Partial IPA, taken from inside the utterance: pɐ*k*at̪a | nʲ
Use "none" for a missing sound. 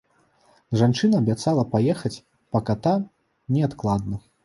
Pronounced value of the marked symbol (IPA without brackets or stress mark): k